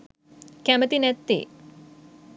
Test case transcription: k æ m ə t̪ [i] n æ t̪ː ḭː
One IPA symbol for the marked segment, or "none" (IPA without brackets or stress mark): i